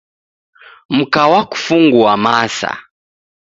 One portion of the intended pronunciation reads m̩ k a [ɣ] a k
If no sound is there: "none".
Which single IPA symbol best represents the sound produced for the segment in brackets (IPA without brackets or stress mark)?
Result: w